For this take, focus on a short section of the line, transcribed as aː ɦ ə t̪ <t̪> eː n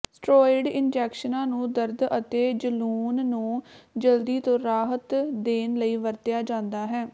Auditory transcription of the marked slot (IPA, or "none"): d̪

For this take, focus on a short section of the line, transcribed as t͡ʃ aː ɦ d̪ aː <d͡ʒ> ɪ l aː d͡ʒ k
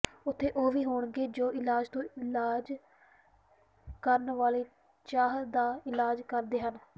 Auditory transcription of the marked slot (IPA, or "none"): none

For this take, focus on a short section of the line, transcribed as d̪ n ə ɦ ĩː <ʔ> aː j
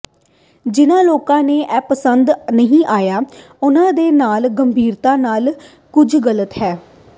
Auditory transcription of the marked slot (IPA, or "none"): ʔ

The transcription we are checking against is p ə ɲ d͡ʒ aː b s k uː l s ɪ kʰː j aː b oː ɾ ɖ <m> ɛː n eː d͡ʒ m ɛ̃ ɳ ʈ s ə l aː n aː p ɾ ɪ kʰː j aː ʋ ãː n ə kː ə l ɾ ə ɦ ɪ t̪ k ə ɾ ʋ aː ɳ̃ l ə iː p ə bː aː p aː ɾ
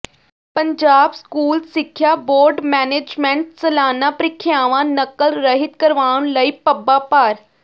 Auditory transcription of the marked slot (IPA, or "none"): m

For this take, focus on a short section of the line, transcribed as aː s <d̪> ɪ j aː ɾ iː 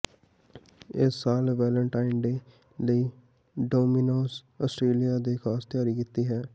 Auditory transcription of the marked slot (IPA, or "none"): t̪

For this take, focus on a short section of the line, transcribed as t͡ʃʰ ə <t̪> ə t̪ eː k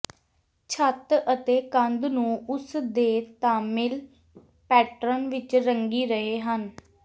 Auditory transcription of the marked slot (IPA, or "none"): t̪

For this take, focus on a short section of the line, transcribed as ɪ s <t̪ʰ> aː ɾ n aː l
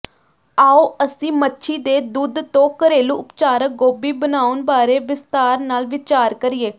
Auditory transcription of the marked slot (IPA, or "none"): t̪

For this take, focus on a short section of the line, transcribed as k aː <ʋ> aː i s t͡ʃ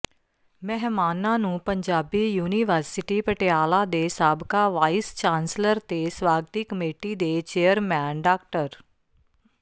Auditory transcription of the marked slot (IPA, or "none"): ʋ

